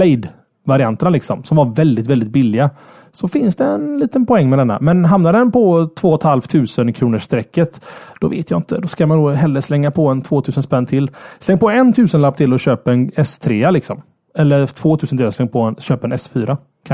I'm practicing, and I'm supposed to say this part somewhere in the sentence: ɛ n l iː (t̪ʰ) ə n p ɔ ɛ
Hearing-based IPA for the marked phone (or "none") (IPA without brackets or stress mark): t̪